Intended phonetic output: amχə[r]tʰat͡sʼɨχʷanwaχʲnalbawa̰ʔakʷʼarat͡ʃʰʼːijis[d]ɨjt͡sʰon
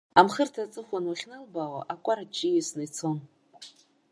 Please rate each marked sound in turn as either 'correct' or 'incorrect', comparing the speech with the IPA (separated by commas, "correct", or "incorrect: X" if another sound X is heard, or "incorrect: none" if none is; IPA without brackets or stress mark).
correct, incorrect: n